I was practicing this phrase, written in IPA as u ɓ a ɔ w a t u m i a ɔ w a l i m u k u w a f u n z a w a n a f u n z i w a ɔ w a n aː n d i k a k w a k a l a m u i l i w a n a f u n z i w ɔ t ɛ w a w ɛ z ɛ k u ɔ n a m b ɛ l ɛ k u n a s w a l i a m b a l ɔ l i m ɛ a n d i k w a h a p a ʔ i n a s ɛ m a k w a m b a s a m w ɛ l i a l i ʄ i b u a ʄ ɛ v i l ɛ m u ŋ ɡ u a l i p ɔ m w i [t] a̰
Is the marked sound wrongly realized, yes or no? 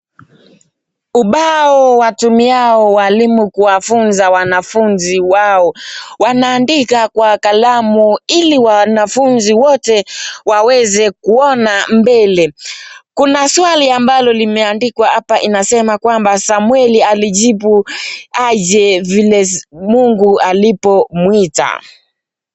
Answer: no